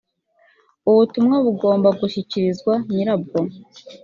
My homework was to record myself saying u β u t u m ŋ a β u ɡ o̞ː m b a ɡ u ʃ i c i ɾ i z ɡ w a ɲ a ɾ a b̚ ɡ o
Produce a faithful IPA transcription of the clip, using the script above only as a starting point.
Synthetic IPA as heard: u β u t u m ŋ a β u ɡ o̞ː m b a ɡ u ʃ i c i ɾ i z ɡ w a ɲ i ɾ a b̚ ɡ o